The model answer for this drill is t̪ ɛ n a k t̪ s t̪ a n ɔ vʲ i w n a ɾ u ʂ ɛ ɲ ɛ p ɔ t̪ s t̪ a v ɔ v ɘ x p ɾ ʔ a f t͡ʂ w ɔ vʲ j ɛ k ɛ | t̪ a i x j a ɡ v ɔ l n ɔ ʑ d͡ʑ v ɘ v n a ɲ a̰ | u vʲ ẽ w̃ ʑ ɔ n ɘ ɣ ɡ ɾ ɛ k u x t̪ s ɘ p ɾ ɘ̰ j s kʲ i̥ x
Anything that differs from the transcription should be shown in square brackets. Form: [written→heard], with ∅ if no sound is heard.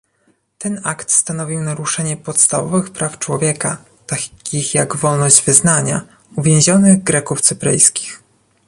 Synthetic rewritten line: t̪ ɛ n a k t̪ s t̪ a n ɔ vʲ i w n a ɾ u ʂ ɛ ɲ ɛ p ɔ t̪ s t̪ a v ɔ v ɘ x p ɾ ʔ a f t͡ʂ w ɔ vʲ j ɛ k [ɛ→a] | t̪ a i x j a ɡ v ɔ l n ɔ ʑ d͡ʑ v ɘ [v→z] n a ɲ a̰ | u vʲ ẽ w̃ ʑ ɔ n ɘ ɣ ɡ ɾ ɛ k u [x→f] t̪ s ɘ p ɾ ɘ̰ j s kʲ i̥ x